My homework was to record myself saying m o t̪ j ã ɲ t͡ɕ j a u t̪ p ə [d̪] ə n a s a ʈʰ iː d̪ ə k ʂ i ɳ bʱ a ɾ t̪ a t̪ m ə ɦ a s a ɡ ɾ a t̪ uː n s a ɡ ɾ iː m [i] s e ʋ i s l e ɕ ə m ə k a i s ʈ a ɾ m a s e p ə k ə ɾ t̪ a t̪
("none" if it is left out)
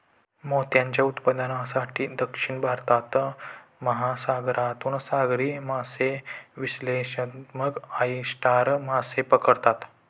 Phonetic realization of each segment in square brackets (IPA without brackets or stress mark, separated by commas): d̪, a